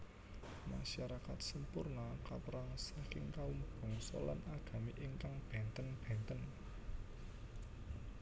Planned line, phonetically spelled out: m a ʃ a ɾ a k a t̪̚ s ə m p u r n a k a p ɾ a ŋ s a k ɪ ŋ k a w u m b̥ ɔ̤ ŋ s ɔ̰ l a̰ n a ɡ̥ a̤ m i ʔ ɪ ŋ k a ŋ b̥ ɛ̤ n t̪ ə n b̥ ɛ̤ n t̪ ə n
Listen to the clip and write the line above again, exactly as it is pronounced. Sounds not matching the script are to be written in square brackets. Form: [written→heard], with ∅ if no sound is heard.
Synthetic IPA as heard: m a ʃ a ɾ a k a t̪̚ s ə m p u r n a k a p ɾ a ŋ s a k ɪ ŋ k a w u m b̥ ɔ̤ ŋ s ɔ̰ l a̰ n a ɡ̥ a̤ m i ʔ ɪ ŋ k a ŋ b̥ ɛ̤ n t̪ ə n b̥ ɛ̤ n t̪ ə n